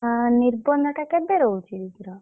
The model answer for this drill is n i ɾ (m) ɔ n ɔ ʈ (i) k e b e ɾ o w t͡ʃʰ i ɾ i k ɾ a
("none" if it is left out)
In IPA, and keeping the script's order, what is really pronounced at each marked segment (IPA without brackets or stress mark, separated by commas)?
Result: b, a